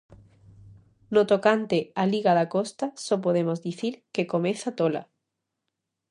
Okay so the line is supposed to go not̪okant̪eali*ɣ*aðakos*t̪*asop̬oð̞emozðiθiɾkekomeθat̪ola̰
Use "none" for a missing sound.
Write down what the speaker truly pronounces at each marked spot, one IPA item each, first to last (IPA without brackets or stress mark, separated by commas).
ɣ, t̪